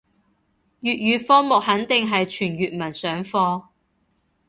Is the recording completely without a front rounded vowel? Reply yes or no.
no